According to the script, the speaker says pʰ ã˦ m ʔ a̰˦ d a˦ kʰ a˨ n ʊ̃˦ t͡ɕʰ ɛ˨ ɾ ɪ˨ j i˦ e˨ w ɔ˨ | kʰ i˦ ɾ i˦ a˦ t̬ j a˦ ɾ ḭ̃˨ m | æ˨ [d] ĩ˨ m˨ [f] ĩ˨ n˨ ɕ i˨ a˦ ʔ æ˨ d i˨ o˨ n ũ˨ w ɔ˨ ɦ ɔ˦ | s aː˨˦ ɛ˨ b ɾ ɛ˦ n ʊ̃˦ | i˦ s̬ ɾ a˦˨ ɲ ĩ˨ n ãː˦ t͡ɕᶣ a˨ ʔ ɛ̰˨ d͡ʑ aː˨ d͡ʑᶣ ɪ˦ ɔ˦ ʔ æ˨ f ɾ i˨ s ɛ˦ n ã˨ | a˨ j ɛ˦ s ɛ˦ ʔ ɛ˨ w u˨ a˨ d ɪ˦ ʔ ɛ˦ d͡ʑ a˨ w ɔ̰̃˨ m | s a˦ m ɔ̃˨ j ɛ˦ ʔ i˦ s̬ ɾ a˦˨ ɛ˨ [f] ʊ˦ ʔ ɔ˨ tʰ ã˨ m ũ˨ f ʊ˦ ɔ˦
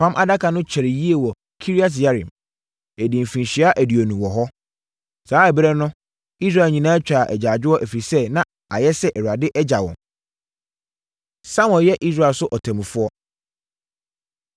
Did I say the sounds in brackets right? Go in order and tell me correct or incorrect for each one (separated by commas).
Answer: correct, correct, incorrect